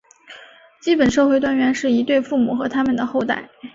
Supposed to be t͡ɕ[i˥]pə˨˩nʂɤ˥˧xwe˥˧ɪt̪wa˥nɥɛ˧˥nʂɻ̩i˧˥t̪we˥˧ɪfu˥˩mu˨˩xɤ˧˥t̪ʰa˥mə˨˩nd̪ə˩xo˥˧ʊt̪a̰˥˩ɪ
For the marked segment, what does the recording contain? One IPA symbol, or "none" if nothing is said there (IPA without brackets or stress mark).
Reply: i˥